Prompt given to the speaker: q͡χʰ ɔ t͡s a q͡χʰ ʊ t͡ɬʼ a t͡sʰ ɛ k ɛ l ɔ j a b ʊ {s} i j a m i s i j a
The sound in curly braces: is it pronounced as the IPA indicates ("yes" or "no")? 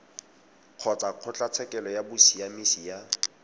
yes